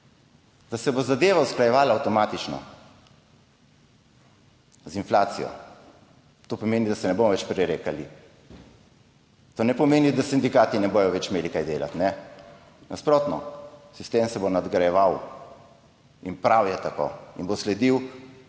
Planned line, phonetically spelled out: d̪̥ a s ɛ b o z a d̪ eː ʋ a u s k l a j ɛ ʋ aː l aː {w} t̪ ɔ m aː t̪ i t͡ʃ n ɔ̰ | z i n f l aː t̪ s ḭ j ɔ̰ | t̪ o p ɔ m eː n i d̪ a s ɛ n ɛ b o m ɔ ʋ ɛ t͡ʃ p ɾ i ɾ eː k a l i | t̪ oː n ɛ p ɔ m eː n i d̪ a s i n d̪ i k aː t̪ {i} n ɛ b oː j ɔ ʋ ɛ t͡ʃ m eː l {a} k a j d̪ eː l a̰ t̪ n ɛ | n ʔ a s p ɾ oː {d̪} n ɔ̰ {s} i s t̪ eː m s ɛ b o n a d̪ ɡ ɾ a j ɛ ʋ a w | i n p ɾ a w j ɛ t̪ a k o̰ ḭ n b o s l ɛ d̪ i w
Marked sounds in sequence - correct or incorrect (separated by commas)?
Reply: correct, correct, incorrect, incorrect, correct